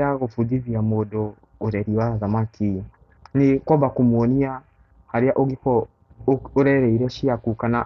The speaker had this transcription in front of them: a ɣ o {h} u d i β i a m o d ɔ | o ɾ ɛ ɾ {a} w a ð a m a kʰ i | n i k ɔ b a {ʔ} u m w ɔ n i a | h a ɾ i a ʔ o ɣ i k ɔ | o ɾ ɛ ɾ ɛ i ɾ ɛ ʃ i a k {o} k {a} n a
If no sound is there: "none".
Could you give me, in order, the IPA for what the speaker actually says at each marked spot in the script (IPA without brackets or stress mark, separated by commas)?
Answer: f, i, k, u, a